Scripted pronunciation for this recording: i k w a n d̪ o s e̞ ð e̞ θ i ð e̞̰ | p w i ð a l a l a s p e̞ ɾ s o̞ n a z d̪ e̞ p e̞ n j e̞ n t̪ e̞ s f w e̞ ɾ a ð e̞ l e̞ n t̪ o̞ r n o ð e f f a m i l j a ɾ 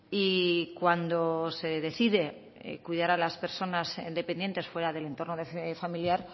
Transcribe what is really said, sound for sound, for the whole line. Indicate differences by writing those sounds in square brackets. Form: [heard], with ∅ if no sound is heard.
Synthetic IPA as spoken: i k w a n d̪ o s e̞ ð e̞ θ i ð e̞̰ | [k] w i ð a [ɾ] a l a s p e̞ ɾ s o̞ n a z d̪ e̞ p e̞ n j e̞ n t̪ e̞ s f w e̞ ɾ a ð e̞ l e̞ n t̪ o̞ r n o ð e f f a m i l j a ɾ